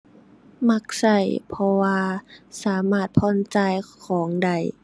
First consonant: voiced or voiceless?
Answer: voiced